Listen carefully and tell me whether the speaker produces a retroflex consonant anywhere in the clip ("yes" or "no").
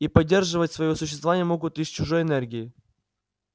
yes